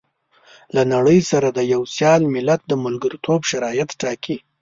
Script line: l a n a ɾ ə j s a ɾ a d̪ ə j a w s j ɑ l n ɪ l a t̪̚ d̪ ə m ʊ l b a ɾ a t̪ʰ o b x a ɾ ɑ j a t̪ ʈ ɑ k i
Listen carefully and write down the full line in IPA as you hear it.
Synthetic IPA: l a n a ɽ ə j s a ɾ a d̪ ə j a w s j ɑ l m ɪ l a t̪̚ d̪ ə m ʊ l ɡ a ɾ i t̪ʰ o b ʃ a ɾ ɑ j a t̪ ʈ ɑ k i